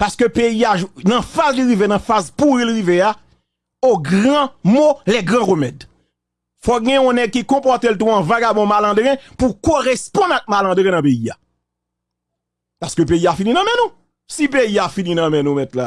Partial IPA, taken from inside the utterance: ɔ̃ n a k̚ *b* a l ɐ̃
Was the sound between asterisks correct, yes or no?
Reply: no